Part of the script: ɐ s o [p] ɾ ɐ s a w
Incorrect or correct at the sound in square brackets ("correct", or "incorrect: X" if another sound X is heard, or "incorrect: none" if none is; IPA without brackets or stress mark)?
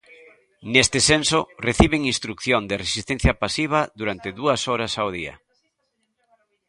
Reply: incorrect: none